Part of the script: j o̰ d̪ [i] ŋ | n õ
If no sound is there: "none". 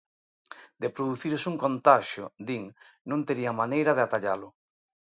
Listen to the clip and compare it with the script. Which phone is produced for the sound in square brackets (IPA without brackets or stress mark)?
i